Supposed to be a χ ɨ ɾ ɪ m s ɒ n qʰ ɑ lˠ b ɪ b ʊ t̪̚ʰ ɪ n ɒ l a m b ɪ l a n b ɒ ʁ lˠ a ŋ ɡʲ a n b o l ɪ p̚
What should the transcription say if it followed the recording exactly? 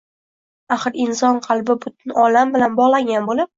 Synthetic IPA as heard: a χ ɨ ɾ ɪ n s ɒ n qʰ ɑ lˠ b ɪ b ʊ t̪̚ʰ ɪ n ɒ l a m b ɪ l a n b ɒ ʁ lˠ a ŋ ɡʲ a n b o l ɪ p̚